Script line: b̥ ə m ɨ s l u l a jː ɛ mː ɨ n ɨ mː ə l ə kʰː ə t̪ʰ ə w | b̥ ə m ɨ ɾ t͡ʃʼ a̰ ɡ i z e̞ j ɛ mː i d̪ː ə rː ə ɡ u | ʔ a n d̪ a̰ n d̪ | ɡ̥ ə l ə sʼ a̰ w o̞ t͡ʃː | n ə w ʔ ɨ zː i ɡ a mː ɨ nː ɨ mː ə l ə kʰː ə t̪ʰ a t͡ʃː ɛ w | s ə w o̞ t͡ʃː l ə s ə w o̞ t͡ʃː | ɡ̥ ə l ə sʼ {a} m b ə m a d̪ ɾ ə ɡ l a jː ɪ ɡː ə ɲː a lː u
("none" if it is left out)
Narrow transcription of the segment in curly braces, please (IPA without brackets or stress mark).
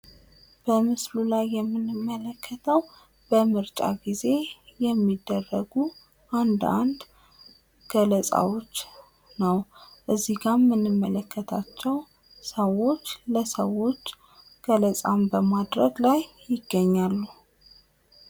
a